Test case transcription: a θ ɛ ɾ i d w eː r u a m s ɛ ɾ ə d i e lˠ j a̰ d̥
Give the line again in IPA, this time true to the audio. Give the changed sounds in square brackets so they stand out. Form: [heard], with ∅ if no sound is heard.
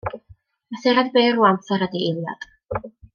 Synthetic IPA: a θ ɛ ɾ [a] d [b] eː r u a m [θ] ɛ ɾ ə d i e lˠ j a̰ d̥